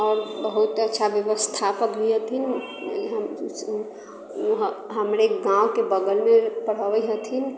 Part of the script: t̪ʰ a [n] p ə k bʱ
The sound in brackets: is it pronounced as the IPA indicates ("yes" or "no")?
no